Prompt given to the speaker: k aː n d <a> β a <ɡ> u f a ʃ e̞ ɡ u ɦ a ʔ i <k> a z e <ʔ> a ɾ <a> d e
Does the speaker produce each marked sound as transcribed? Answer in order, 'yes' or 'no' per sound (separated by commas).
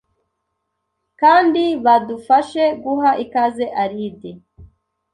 no, no, yes, yes, no